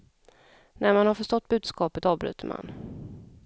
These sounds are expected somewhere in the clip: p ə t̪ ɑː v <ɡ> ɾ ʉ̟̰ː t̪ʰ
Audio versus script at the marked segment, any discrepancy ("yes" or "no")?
yes